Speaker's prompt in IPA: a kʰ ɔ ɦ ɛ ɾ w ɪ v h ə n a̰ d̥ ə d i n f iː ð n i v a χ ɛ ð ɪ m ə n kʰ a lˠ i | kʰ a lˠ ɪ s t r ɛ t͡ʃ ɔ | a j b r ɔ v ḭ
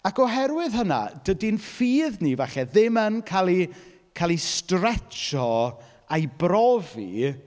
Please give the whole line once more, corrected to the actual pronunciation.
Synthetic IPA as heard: a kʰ ɔ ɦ ɛ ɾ w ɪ ð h ə n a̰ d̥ ə d i n f iː ð n i v a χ ɛ ð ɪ m ə n kʰ a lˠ i | kʰ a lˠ i s t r ɛ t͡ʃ ɔ | a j b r ɔ v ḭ